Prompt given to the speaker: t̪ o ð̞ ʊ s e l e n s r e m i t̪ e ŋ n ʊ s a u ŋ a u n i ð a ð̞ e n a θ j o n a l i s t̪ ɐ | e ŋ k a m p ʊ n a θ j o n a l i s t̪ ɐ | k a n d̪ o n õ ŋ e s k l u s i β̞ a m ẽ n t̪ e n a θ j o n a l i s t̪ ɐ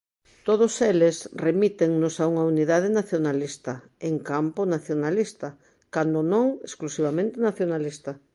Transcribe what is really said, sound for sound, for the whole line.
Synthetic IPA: t̪ o ð̞ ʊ s e l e s r e m i t̪ e ŋ n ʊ s a u ŋ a u n i ð a ð̞ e n a θ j o n a l i s t̪ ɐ | e ŋ k a m p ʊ n a θ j o n a l i s t̪ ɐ | k a n d̪ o n õ ŋ e s k l u s i β̞ a m ẽ n t̪ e n a θ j o n a l i s t̪ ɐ